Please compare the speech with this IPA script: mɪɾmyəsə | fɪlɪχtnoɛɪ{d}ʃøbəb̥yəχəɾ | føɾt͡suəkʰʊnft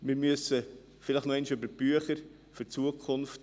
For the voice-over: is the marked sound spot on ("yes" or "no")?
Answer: no